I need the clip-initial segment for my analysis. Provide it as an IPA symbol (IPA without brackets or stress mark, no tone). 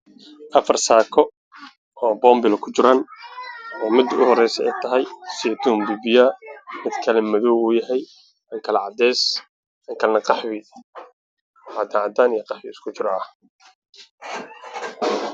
ʔ